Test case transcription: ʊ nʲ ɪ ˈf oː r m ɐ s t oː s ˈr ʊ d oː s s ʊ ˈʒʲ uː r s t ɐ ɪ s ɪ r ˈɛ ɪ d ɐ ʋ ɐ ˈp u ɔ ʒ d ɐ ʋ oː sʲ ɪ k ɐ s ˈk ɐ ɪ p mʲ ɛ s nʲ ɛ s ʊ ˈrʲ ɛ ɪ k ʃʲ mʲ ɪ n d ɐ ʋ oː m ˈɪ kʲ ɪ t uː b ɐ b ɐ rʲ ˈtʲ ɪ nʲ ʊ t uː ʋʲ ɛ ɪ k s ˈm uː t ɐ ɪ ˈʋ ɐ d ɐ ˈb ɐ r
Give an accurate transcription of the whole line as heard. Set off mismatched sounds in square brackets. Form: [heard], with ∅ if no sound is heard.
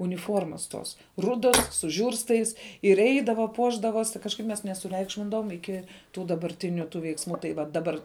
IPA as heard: ʊ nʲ ɪ ˈf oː r m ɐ s t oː s ˈr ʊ d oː s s ʊ ˈʒʲ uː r s t ɐ ɪ s ɪ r ˈɛ ɪ d ɐ ʋ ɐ ˈp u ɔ ʒ d ɐ ʋ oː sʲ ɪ k ɐ [ʃ] ˈk ɐ ɪ p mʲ ɛ s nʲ ɛ s ʊ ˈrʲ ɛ ɪ k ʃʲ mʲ ɪ n d ɐ ʋ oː m ˈɪ kʲ ɪ t uː [d] ɐ b ɐ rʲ ˈtʲ ɪ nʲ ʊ t uː ʋʲ ɛ ɪ k s ˈm uː t ɐ ɪ ˈʋ ɐ d ɐ ˈb ɐ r